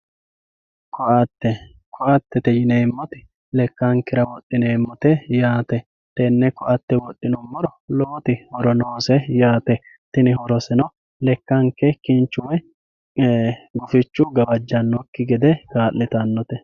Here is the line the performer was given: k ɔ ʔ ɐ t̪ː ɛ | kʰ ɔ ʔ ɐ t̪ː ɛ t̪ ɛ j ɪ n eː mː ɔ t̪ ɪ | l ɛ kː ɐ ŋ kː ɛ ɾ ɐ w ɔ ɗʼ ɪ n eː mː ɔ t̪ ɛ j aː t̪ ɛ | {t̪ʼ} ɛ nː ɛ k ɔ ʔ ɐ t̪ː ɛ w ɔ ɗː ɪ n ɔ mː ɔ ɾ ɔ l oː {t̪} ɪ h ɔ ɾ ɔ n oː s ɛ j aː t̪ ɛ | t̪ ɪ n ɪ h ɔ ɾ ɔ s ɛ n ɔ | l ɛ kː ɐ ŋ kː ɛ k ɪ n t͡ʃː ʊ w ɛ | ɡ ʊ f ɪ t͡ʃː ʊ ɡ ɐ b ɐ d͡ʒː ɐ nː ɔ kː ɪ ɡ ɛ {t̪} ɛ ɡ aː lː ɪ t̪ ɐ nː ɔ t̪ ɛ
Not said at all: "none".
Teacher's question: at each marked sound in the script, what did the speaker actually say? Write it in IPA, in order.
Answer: t̪, t̪, d̪

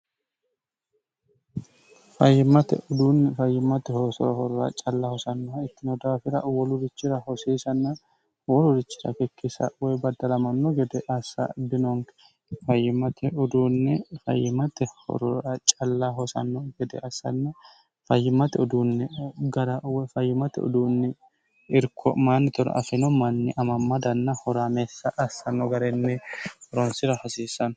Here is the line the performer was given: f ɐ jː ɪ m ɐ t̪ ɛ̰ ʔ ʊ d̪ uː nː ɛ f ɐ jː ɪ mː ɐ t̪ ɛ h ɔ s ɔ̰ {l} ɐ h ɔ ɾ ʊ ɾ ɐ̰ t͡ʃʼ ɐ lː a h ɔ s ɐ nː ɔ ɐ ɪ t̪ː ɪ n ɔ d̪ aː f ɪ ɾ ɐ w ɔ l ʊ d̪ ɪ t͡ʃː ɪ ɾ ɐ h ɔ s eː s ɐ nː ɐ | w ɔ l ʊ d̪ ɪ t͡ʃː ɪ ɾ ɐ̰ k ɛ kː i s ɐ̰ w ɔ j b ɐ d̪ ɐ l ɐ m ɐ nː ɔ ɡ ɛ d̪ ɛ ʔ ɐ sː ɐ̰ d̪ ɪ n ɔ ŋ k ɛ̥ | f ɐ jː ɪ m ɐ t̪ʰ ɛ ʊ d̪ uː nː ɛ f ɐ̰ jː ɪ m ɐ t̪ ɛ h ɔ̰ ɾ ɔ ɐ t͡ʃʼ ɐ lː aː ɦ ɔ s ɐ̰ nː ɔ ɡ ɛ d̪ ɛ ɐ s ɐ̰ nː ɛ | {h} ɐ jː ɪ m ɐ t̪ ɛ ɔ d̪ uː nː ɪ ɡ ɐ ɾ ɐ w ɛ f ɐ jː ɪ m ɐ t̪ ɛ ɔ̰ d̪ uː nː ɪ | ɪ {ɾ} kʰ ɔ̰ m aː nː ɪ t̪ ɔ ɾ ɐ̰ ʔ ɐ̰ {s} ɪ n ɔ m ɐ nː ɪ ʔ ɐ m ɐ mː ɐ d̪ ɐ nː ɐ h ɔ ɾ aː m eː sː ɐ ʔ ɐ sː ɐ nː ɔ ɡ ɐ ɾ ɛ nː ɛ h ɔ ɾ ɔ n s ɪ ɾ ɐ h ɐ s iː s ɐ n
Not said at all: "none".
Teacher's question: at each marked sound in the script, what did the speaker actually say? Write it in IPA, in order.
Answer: ɾ, f, ɾ, f

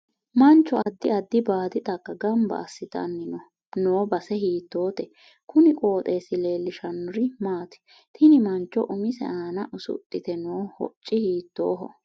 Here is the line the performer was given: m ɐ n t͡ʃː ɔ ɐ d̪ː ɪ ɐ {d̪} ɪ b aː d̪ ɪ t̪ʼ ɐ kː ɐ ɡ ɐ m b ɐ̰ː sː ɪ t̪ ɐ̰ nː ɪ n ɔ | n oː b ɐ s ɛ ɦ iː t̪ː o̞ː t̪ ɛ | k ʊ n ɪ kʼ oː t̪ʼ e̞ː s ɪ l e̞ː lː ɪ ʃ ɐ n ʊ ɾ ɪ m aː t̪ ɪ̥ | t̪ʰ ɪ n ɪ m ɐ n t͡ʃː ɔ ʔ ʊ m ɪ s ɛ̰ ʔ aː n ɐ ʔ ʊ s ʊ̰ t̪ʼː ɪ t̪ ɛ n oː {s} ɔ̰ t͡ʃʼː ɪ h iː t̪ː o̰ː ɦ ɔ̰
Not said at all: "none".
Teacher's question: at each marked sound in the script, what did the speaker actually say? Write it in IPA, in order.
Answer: d̪ː, h

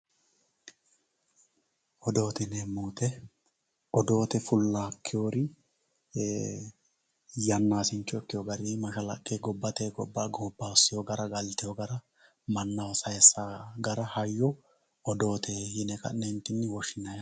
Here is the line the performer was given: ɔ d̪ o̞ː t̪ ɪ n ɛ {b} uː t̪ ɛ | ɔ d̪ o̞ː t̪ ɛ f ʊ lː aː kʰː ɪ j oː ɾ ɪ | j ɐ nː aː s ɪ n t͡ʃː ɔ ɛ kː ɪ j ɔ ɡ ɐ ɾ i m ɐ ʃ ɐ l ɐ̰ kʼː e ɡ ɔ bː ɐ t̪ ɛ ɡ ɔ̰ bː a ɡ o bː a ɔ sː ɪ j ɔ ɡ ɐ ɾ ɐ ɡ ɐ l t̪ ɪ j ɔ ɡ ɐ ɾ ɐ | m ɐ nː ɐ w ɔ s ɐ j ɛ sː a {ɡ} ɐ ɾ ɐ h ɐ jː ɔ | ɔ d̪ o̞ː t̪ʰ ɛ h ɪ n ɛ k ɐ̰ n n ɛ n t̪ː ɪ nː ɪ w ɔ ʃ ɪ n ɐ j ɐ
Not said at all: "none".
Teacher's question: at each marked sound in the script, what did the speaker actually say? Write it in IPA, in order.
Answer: m, ɡ

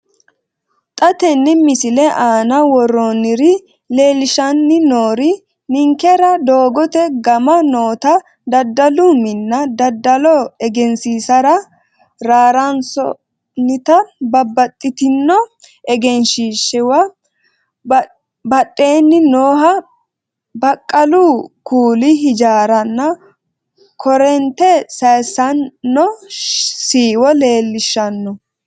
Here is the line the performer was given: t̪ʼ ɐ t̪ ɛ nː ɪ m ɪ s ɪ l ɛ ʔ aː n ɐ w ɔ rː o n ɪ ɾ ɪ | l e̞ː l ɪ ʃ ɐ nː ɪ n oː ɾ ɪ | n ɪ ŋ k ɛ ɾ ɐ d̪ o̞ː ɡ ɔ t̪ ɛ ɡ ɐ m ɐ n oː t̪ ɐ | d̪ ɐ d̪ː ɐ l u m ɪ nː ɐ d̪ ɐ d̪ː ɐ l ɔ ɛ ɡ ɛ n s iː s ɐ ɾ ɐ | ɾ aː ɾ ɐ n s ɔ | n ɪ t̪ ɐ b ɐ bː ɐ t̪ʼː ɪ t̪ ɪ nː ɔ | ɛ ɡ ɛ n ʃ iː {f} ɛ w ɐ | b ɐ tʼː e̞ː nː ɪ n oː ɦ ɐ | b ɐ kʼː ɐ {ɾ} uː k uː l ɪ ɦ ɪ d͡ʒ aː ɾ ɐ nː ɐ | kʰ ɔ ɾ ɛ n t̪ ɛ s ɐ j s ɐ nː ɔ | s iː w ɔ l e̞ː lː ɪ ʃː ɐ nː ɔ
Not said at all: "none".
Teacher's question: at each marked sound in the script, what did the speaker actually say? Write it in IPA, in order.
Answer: ʃ, l

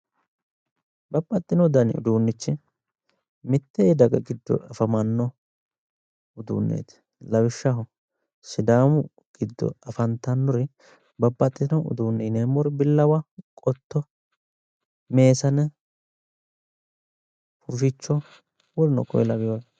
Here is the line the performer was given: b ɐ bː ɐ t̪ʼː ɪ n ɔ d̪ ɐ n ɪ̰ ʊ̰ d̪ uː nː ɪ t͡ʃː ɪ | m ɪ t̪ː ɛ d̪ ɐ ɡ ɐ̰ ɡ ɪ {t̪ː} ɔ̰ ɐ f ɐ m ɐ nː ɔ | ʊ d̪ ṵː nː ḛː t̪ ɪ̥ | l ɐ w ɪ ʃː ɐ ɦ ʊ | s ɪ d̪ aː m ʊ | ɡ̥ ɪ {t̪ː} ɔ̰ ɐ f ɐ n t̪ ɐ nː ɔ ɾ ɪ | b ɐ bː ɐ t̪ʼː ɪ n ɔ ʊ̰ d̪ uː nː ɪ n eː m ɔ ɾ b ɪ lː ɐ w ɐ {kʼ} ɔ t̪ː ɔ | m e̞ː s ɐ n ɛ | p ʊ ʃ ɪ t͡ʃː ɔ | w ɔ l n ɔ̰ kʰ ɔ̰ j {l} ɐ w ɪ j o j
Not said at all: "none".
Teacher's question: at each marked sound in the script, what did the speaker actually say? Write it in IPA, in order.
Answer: d̪ː, d̪ː, kʼ, l

